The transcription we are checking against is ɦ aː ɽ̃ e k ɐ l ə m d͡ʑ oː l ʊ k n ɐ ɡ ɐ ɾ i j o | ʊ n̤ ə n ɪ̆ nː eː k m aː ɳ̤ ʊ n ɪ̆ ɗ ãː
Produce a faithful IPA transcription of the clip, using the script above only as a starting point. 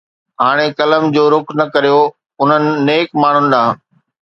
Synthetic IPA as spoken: ɦ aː ɽ̃ e k ɐ l ə m d͡ʑ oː ɾ ʊ k n ɐ k ɐ ɾ i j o | ʊ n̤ ə n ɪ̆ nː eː k m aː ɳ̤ ʊ n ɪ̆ ɗ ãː